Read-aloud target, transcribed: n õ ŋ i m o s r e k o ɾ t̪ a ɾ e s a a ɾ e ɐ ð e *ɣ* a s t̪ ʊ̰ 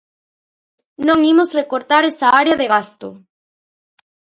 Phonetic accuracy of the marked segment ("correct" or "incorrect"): correct